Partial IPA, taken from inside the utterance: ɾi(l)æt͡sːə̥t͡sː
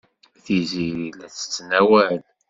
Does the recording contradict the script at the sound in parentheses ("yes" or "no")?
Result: no